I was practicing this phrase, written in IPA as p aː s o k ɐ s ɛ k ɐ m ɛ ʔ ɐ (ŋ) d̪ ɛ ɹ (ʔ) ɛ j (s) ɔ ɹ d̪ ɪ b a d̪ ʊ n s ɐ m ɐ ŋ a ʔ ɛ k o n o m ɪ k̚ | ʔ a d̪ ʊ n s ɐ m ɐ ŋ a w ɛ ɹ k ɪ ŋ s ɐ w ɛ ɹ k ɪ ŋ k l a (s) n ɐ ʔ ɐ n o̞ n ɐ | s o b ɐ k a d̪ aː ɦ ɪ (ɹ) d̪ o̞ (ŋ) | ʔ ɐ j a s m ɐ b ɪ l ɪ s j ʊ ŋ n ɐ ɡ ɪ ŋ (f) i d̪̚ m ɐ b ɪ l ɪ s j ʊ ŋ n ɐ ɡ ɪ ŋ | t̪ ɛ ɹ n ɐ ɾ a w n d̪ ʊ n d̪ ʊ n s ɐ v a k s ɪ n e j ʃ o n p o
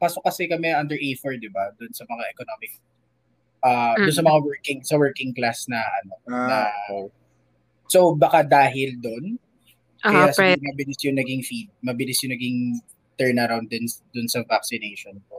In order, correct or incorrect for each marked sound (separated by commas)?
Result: incorrect, correct, incorrect, correct, incorrect, incorrect, correct